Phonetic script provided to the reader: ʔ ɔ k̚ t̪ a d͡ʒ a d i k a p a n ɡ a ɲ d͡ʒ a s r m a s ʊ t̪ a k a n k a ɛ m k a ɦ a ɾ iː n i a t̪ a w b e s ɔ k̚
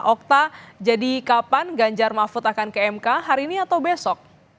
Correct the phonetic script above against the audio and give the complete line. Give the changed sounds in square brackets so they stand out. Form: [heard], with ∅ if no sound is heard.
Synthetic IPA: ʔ ɔ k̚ t̪ a d͡ʒ a d i k a p a n ɡ a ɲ d͡ʒ a [∅] r m a [f] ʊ t̪ a k a n k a ɛ m k a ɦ a ɾ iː n i a t̪ a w b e s ɔ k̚